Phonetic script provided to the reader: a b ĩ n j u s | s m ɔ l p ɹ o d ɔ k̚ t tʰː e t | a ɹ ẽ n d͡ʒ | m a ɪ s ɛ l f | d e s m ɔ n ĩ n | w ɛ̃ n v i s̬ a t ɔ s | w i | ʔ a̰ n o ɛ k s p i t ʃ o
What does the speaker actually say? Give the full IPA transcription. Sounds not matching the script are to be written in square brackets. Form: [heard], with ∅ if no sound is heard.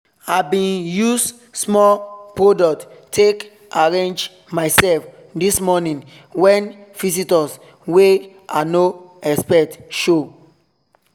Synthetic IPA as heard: a b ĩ n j u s | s m ɔ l p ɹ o d ɔ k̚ t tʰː e [k] | a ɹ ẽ n d͡ʒ | m a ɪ s ɛ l f | d [i] s m ɔ n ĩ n | w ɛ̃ n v i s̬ [i] t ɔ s | w [e] | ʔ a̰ n o ɛ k s p [ɛ] t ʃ o